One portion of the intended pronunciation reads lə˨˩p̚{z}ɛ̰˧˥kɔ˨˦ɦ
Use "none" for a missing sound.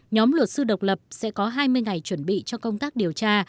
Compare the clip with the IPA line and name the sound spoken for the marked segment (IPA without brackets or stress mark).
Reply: s